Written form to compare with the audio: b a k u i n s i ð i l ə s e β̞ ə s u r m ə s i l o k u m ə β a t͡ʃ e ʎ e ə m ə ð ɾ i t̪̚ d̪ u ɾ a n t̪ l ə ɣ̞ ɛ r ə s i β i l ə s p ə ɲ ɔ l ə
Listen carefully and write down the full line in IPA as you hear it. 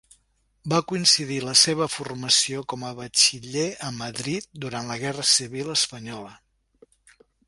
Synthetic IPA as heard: b a k u i n s i ð i l ə s e β̞ ə f u r m ə s i o k ɔ m ə β ə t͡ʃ i ʎ e ə m ə ð ɾ i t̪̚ d̪ u ɾ a n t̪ l ə ɣ̞ ɛ r ə s i β i l ə s p ə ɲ ɔ l ə